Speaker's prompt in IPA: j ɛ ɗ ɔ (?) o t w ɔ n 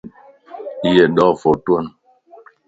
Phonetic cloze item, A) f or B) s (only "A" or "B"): A